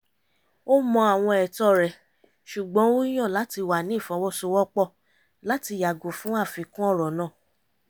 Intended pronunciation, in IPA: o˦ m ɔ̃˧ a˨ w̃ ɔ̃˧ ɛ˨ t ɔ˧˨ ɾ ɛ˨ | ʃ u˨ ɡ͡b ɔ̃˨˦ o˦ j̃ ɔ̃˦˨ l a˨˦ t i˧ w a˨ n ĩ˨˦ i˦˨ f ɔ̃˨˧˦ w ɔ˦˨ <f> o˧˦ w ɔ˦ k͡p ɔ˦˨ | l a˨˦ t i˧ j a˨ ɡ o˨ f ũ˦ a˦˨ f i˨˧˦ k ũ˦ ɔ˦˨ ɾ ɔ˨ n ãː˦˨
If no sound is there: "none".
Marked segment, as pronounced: s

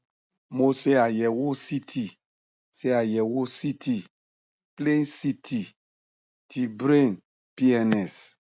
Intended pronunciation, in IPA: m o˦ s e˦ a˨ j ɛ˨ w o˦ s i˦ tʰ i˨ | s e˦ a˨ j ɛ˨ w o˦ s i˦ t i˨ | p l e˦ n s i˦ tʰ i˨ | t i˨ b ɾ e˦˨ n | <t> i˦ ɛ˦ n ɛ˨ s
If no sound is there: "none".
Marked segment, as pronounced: p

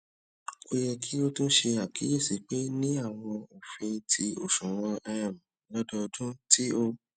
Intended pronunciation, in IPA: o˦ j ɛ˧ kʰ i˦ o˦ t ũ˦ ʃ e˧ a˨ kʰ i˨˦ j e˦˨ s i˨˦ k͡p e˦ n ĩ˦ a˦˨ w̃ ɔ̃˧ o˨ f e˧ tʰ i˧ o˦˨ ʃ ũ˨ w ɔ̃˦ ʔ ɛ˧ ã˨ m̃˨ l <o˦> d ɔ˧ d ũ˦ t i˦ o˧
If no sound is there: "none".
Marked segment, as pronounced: ɔ˦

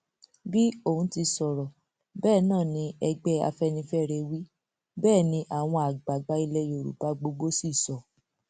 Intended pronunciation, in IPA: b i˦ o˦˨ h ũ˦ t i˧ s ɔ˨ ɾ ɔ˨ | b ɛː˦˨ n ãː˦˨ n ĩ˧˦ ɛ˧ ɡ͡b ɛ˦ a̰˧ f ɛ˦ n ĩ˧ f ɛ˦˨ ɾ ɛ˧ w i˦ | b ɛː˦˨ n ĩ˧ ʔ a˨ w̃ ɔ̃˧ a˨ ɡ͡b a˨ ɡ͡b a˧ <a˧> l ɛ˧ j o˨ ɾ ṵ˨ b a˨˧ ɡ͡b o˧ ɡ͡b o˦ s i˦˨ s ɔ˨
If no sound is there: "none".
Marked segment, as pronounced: i˧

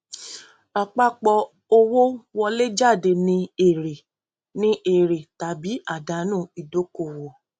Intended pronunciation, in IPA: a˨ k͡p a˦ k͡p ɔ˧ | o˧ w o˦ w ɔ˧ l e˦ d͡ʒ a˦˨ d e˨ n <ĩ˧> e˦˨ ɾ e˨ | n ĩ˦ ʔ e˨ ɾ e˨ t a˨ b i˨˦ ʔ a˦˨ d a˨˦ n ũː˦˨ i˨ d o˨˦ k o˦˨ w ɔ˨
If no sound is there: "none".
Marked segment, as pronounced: ĩ˧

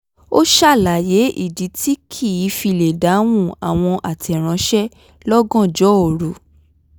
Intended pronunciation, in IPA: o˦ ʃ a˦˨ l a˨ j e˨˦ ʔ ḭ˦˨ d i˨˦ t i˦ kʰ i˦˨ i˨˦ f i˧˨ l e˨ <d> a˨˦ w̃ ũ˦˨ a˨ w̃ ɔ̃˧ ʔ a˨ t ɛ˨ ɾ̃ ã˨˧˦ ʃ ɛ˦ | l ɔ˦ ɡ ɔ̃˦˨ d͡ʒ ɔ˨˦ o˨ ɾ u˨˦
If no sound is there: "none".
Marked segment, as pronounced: d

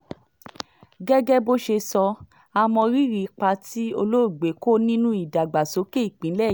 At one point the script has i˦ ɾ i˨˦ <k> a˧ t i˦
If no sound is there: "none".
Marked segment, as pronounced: k͡p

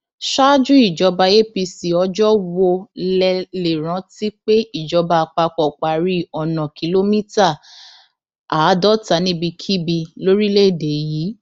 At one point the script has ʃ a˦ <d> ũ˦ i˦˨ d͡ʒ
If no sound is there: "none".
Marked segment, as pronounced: d͡ʒ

